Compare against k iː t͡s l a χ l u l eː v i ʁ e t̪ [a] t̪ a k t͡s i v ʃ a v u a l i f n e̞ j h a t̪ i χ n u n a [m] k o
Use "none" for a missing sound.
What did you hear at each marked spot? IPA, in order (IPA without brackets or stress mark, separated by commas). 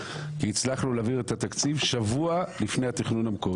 a, m